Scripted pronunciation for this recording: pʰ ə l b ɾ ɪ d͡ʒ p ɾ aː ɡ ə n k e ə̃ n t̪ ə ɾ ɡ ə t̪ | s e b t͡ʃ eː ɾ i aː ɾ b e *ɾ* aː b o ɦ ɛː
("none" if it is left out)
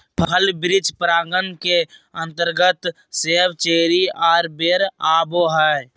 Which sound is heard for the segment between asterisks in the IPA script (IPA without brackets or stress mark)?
ɾ